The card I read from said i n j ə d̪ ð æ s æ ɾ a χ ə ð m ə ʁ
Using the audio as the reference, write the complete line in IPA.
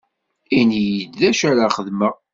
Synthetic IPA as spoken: i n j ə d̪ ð æ ʃ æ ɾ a χ ə ð m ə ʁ